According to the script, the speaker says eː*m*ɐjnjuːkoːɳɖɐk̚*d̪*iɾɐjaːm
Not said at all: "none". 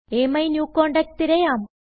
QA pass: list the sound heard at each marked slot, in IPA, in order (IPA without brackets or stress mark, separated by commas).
m, t̪